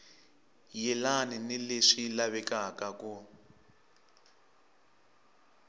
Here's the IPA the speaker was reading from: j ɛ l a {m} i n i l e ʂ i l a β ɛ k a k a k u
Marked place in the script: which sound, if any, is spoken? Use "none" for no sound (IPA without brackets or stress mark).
n